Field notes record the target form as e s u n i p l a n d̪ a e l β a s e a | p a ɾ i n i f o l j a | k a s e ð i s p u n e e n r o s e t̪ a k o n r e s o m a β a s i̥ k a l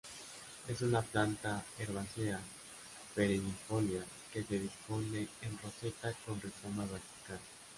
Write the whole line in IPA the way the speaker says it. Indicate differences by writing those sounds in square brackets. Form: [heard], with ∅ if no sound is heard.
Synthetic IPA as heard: e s u n [a] p l a n [t̪] a e [ɾ] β a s e a | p [e] ɾ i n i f o l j a | k [e] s e ð i s p [o] n e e n r o s e t̪ a k o n r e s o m a β a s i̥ k a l